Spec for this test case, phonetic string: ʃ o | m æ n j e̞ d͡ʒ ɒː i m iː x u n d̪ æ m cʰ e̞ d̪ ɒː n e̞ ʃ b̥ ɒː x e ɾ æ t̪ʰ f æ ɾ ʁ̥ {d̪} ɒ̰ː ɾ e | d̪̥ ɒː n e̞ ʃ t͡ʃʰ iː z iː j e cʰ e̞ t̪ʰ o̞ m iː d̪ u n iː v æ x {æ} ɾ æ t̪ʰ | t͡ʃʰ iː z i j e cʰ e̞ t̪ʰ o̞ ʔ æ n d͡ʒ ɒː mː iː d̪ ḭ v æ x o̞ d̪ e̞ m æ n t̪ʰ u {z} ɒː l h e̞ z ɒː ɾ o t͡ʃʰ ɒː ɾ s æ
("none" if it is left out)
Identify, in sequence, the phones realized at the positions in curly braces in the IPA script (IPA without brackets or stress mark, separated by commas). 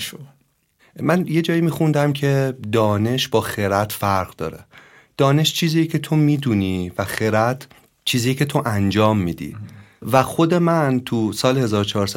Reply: d̪, e, s